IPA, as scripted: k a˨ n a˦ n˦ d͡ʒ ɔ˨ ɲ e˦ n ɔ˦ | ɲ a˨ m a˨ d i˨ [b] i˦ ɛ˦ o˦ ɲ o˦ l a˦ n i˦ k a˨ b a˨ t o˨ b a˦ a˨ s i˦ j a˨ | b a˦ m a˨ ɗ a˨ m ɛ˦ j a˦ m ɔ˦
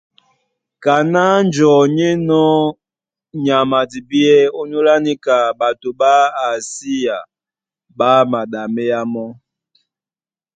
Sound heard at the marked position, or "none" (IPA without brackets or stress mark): b